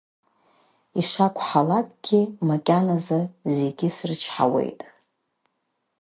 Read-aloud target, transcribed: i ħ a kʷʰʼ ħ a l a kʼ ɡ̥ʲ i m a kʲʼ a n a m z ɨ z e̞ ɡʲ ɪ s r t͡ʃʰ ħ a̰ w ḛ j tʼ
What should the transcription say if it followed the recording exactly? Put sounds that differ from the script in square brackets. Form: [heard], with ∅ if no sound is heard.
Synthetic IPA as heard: i [ʂ] a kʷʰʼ ħ a l a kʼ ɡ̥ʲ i m a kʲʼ a n a [∅] z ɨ z e̞ ɡʲ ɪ s r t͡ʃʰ ħ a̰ w ḛ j tʼ